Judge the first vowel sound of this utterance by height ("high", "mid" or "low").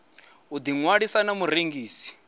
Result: high